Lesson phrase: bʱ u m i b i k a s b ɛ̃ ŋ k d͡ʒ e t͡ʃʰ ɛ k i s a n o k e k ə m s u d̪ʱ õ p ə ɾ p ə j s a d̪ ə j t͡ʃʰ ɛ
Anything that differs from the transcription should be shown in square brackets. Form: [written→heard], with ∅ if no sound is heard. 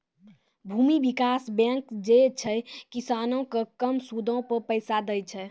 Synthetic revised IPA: bʱ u m i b i k a s b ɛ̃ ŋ k d͡ʒ e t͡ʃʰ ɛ k i s a n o k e k ə m s u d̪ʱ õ p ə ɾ p ə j s a d̪ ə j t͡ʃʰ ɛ